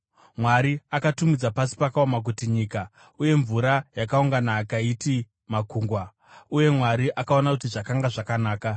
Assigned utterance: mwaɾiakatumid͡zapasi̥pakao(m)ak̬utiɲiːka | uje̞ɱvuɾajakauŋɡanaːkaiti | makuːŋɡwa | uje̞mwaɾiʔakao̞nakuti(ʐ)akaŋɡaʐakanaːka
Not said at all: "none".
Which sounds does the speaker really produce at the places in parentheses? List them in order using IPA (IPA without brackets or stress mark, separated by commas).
m, ʐ